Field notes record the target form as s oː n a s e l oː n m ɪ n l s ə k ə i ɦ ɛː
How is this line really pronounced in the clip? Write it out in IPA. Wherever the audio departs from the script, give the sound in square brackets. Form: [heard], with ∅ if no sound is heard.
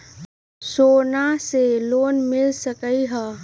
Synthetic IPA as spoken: s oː n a s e l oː n m ɪ [∅] l s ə k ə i ɦ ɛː